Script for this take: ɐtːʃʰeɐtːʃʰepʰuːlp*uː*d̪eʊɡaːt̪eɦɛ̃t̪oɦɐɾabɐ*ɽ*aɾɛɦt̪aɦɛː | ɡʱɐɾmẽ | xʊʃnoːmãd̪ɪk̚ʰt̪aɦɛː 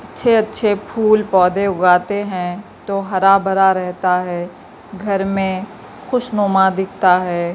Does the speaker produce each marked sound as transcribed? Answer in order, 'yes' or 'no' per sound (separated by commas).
no, no